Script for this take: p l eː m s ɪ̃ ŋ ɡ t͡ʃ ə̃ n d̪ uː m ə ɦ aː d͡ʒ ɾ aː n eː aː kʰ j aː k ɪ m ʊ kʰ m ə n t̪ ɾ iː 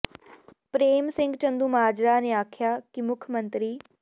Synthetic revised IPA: p ɾ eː m s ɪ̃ ŋ ɡ t͡ʃ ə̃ n d̪ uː m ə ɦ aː d͡ʒ ɾ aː n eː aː kʰ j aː k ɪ m ʊ kʰ m ə n t̪ ɾ iː